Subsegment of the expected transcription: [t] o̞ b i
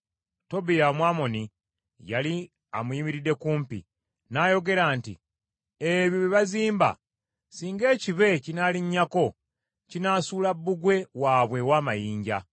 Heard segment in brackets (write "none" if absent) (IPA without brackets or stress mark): t